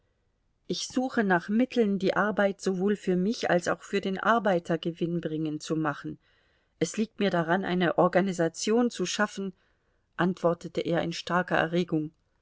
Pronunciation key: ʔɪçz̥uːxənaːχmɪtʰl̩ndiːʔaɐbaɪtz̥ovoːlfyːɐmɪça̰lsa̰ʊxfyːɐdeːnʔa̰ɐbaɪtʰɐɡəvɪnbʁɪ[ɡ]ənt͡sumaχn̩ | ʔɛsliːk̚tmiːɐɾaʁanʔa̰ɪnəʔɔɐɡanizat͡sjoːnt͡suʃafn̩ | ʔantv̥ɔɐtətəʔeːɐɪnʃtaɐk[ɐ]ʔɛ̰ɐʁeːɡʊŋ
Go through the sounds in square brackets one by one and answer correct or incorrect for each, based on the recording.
incorrect, correct

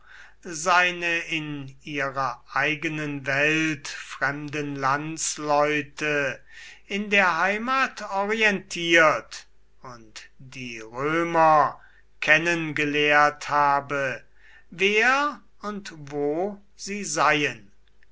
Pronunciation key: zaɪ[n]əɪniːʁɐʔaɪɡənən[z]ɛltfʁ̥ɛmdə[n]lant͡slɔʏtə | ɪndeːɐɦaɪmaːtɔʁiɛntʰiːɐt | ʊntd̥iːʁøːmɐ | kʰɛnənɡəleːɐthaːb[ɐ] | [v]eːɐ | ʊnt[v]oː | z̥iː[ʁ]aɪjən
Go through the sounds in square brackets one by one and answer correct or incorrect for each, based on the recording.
correct, incorrect, correct, incorrect, correct, correct, incorrect

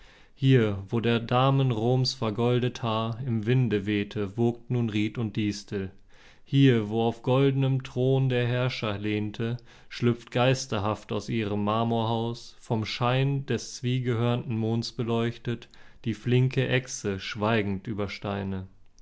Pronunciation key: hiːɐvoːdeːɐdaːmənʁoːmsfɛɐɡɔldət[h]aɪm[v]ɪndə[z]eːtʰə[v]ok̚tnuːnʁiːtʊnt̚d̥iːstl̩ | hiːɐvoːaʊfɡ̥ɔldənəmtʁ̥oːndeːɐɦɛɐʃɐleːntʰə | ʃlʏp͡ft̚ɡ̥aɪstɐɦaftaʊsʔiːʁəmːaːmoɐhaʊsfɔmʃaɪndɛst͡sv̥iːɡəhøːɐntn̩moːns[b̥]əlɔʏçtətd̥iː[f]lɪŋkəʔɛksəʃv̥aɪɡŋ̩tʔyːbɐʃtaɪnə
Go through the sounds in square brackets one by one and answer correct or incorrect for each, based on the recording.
correct, correct, incorrect, correct, correct, correct

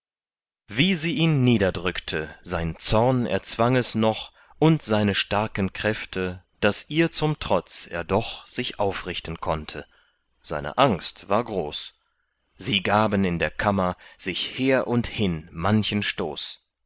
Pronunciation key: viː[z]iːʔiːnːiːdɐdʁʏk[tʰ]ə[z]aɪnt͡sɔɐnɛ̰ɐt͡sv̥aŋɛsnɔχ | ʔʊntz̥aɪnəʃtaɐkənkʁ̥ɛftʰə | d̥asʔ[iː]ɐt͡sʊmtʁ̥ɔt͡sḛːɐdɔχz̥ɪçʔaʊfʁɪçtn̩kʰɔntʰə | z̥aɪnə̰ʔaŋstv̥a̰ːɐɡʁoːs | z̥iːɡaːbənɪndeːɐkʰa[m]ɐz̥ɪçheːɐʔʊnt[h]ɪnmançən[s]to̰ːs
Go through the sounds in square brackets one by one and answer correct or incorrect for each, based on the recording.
correct, correct, correct, correct, correct, correct, incorrect

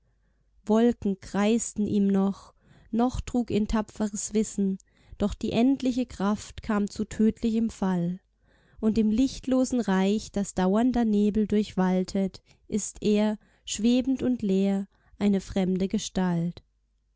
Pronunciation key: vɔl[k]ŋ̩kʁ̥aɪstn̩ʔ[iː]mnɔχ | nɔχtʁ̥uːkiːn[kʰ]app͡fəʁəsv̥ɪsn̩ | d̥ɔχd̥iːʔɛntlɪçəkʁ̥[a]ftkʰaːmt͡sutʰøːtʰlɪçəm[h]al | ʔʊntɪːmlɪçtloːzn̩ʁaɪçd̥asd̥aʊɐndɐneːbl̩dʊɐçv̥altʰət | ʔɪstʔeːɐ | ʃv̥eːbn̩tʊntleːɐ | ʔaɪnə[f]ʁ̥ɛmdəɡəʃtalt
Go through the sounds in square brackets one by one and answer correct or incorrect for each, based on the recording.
correct, correct, incorrect, correct, incorrect, correct

